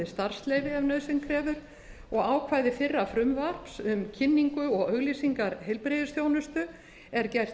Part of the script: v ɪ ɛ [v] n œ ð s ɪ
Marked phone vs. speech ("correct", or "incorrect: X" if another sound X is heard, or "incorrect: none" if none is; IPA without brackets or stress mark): correct